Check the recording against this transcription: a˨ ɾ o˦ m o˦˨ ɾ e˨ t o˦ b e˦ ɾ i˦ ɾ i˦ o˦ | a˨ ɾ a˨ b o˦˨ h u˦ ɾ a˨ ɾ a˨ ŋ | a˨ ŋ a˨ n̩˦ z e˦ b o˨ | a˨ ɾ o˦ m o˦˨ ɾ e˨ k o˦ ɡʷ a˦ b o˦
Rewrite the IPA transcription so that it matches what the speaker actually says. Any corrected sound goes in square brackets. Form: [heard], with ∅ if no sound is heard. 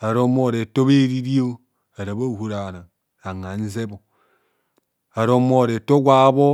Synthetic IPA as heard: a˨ ɾ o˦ m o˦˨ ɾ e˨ t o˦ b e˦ ɾ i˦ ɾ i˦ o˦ | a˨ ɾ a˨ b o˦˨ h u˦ ɾ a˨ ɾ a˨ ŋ | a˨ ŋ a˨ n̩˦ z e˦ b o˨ | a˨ ɾ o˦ m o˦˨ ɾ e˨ [t] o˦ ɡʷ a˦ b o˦